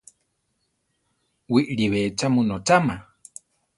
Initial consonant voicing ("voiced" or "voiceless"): voiced